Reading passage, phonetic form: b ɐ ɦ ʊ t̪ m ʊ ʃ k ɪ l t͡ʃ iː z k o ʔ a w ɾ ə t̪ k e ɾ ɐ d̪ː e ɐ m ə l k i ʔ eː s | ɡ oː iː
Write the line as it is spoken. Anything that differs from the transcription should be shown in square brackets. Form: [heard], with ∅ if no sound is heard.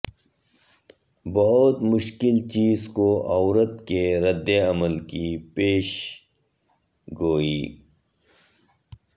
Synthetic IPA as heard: b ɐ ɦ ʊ t̪ m ʊ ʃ k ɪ l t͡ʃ iː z k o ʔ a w ɾ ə t̪ k e ɾ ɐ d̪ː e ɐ m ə l k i [p] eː [ʃ] | ɡ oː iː